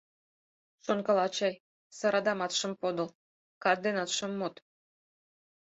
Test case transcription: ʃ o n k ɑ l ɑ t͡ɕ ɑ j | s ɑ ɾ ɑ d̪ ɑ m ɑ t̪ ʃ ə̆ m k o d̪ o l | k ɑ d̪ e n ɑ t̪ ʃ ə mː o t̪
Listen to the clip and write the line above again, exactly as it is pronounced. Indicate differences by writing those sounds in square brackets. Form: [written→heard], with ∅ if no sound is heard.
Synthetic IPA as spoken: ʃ o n k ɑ l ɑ t͡ɕ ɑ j | s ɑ ɾ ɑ d̪ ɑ m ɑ t̪ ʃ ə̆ m [k→p] o d̪ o l | k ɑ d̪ e n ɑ t̪ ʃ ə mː o t̪